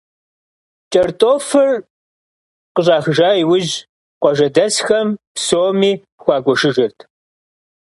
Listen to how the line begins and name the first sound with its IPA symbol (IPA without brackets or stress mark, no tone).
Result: t͡ʃʼ